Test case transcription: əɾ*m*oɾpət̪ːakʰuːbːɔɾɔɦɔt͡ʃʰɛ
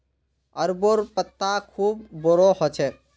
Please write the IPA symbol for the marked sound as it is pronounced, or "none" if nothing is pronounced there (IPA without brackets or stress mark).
b